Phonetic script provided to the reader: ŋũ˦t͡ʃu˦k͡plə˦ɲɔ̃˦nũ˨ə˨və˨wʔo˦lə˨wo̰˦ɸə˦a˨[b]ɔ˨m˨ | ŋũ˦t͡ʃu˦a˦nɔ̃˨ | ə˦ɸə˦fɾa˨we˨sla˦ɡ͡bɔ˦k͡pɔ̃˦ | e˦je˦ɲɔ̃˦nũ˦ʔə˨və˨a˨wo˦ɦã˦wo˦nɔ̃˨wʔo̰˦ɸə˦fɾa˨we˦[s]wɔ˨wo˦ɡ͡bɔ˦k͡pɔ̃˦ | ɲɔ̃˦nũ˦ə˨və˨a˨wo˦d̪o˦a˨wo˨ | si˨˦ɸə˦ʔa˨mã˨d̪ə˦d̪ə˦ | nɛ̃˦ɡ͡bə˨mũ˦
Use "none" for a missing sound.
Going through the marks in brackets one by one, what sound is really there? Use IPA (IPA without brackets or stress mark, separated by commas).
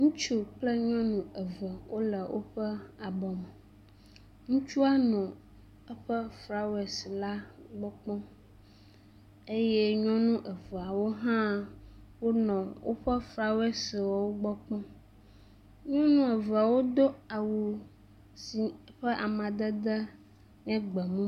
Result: b, s